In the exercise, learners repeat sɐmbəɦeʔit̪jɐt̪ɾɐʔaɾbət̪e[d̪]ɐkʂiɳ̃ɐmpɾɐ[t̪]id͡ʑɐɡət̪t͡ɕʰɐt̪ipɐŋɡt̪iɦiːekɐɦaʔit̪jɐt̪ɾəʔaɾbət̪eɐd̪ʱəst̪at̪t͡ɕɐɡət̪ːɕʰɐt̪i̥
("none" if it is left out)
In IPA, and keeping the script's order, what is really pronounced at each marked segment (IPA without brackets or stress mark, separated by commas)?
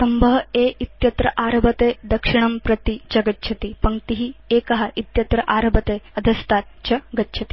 d̪, t̪